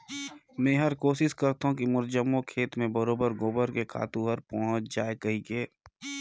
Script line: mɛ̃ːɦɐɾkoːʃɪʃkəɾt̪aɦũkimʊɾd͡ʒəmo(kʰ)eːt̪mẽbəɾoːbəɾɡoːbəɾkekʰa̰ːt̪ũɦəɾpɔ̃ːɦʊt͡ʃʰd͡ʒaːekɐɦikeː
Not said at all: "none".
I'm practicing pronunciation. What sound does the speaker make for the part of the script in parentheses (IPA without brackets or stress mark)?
kʰ